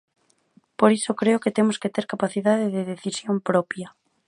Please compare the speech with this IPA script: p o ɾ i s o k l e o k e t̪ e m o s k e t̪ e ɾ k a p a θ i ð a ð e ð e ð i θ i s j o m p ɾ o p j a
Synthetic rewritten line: p o ɾ i s o k ɾ e o k e t̪ e m o s k e t̪ e ɾ k a p a θ i ð a ð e ð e ð e θ i s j o m p ɾ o p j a